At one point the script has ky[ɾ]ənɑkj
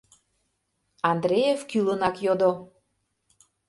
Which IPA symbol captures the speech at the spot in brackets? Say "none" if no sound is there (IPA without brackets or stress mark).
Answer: l